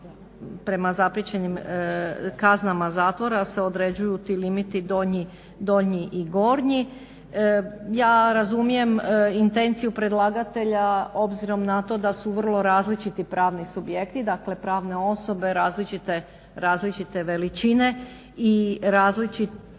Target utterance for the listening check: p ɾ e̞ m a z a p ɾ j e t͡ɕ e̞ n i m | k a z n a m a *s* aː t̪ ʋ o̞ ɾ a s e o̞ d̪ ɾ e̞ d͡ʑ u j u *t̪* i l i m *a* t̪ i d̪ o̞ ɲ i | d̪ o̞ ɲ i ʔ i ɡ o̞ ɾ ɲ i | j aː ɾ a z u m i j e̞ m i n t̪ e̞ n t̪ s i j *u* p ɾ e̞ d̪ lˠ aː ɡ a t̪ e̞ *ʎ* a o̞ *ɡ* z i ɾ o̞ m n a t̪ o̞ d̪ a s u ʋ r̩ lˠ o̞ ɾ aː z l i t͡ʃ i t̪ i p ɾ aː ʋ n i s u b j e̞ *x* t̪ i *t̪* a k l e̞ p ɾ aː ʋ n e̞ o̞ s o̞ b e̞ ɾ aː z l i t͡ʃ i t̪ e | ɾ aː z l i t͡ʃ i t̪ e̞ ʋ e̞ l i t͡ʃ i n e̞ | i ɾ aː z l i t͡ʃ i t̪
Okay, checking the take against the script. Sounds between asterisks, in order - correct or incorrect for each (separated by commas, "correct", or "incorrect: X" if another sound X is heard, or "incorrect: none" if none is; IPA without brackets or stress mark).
incorrect: z, correct, incorrect: i, correct, correct, incorrect: b, incorrect: k, incorrect: d̪